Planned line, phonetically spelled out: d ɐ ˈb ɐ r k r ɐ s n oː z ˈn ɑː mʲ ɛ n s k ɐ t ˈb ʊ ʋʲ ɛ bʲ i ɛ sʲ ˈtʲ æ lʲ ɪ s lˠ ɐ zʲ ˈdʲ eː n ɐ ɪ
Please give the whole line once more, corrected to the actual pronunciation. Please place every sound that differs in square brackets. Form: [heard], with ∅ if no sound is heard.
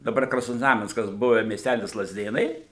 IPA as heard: d ɐ ˈb ɐ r k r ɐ s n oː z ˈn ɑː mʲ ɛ n s k ɐ [s] ˈb ʊ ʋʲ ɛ [mʲ] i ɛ sʲ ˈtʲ æ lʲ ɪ s lˠ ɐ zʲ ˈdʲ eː n ɐ ɪ